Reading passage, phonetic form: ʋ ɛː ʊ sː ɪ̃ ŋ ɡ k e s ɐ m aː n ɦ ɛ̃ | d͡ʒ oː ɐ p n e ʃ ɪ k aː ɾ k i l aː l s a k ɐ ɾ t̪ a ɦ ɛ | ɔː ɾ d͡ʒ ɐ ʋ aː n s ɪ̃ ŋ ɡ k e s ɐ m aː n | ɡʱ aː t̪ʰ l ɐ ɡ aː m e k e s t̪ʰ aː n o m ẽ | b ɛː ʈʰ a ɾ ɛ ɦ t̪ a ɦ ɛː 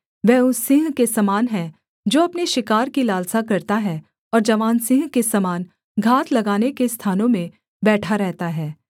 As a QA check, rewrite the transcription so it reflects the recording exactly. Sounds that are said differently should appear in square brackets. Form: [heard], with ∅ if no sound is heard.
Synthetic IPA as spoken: ʋ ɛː ʊ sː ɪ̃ ŋ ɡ k e s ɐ m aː n ɦ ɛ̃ | d͡ʒ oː ɐ p n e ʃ ɪ k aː ɾ k i l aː l s a k ɐ ɾ t̪ a ɦ ɛ | ɔː ɾ d͡ʒ ɐ ʋ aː n s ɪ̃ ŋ ɡ k e s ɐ m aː n | ɡʱ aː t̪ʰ l ɐ ɡ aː [n] e k e s t̪ʰ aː n [õ] m ẽ | b ɛː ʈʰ a ɾ ɛ ɦ t̪ a ɦ ɛː